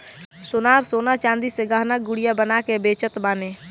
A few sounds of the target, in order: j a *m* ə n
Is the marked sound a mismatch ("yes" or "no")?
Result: yes